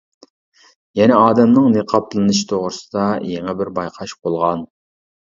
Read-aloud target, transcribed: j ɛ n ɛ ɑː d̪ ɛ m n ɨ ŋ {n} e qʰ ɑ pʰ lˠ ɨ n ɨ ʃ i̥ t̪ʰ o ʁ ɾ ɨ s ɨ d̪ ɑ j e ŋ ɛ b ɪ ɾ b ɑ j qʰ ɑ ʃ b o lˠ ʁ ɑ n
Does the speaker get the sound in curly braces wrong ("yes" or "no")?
no